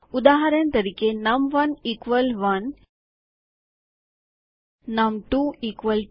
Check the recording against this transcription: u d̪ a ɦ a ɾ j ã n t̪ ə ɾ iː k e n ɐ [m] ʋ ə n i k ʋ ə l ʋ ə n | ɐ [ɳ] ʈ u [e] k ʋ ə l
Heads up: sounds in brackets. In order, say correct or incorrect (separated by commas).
correct, incorrect, incorrect